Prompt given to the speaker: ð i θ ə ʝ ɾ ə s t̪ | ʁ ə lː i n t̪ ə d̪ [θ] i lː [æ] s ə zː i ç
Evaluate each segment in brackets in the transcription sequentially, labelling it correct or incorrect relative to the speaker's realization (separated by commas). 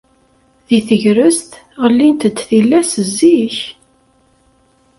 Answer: correct, correct